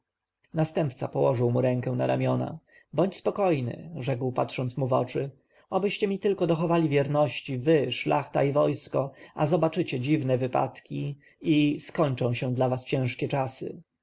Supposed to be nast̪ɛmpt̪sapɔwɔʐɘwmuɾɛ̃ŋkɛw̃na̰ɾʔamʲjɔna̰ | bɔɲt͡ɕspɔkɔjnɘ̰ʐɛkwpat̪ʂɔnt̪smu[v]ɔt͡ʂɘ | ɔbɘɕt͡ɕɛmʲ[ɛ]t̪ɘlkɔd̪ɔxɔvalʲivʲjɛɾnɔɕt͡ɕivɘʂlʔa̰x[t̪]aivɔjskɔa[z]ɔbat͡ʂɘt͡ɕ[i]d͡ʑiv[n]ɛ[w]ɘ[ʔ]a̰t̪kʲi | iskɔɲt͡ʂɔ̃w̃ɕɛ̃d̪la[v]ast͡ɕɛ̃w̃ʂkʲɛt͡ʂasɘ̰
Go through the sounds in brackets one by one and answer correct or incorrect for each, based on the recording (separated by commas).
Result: correct, incorrect, correct, correct, incorrect, correct, incorrect, incorrect, correct